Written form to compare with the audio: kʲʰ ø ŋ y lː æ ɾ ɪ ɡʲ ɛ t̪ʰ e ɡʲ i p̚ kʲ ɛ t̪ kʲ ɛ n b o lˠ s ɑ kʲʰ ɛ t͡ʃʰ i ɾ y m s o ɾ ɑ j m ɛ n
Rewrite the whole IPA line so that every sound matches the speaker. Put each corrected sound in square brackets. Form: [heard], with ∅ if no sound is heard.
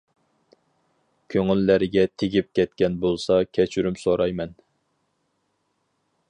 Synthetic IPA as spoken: kʲʰ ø ŋ y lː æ ɾ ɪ ɡʲ ɛ t̪ʰ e ɡʲ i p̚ kʲ ɛ t̪ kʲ ɛ n b o lˠ s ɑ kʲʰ ɛ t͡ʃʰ [y] ɾ y m s o ɾ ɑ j m ɛ n